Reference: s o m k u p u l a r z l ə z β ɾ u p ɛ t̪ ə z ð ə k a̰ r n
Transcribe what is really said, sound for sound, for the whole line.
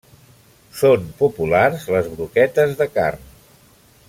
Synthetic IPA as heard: s o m p u p u l a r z l ə z β ɾ u k ɛ t̪ ə z ð ə k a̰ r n